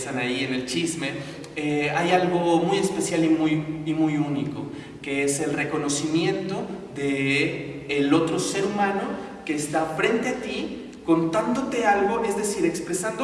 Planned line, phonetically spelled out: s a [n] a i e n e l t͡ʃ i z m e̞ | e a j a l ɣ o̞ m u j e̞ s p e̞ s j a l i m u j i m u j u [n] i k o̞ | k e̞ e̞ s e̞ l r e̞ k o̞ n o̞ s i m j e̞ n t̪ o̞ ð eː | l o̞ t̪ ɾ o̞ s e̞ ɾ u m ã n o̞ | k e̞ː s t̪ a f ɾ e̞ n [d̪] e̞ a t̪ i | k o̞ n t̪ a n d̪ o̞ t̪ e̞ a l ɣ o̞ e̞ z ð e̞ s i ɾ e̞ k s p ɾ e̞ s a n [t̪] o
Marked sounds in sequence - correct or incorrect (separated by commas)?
correct, correct, incorrect, incorrect